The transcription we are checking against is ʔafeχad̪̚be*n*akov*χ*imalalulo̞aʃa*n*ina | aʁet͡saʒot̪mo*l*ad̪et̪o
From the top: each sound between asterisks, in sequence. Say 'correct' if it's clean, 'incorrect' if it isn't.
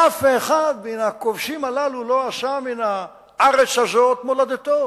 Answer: correct, incorrect: ʃ, incorrect: m, correct

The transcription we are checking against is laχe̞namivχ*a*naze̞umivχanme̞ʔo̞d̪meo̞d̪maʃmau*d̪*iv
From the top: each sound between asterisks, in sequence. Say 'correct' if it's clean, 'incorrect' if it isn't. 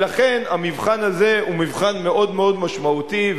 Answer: correct, incorrect: t̪

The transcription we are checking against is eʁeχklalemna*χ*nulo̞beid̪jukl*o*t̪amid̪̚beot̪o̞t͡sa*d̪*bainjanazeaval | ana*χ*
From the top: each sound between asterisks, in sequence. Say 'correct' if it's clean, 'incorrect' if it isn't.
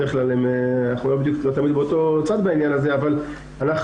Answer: correct, correct, correct, correct

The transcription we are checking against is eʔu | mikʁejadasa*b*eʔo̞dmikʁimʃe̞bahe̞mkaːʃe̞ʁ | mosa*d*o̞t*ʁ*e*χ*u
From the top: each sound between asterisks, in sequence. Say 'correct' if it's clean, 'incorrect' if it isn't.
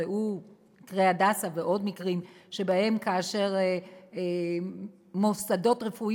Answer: incorrect: v, correct, correct, incorrect: f

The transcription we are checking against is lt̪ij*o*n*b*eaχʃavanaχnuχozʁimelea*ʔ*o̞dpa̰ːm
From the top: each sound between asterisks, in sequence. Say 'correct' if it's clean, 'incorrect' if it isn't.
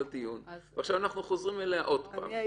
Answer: incorrect: u, incorrect: v, correct

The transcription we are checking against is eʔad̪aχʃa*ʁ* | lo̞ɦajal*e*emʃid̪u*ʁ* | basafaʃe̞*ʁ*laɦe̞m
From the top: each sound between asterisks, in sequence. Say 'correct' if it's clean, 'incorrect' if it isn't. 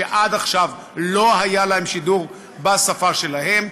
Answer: incorrect: v, incorrect: a, correct, incorrect: none

